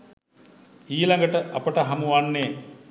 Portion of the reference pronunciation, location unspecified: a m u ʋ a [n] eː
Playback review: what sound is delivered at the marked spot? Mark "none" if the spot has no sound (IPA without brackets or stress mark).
nː